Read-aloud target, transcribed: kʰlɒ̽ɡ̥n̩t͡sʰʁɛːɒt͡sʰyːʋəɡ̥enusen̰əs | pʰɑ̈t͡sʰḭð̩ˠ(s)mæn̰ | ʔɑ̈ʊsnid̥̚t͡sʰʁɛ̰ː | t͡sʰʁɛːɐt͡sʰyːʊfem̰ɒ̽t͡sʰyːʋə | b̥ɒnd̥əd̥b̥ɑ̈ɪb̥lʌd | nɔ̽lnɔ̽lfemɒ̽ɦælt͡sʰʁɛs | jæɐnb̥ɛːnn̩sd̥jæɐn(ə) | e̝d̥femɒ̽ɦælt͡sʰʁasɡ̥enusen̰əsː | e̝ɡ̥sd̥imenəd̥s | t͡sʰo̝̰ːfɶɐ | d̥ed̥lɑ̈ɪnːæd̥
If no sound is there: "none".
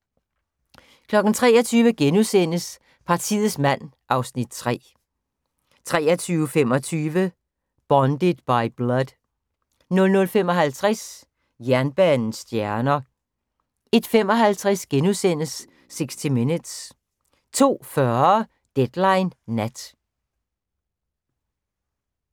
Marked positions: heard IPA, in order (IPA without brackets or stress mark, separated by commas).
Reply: s, ɐ